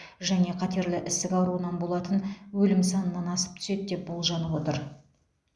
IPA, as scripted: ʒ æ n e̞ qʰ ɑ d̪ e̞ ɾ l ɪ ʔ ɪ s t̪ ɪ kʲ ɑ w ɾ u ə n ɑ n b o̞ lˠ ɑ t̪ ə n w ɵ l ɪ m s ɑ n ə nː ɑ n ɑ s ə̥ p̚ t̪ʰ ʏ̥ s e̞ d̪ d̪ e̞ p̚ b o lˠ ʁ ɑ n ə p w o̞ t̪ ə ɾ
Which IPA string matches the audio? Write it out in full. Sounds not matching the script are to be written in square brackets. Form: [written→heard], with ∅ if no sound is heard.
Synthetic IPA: ʒ æ n e̞ qʰ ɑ [d̪→t̪] e̞ ɾ l ɪ ʔ ɪ s t̪ ɪ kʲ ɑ w ɾ u ə n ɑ n b o̞ lˠ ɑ t̪ ə n w ɵ l ɪ m s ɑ n ə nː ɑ n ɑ s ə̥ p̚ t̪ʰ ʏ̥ s e̞ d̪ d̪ e̞ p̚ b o lˠ [ʁ→ʒ] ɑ n ə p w o̞ t̪ ə ɾ